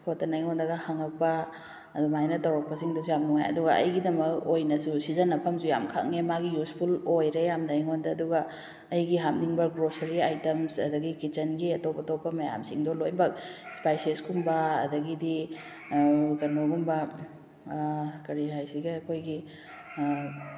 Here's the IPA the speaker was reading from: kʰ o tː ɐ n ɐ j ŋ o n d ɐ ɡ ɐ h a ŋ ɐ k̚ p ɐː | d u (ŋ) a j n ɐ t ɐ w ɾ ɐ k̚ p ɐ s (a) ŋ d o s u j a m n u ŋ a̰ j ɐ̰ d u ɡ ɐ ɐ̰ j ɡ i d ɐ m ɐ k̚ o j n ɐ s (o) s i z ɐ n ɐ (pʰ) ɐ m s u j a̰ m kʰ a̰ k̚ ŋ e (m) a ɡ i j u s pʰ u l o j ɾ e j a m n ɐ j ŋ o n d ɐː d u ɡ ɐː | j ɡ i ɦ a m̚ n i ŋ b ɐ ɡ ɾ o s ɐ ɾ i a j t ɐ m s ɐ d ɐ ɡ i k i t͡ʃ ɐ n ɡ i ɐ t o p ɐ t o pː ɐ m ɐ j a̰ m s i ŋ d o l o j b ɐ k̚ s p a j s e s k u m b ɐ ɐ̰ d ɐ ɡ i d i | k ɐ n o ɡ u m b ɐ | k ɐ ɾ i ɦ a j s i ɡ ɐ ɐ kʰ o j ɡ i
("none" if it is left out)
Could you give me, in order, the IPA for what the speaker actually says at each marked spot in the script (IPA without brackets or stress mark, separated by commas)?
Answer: m, i, u, pʰ, m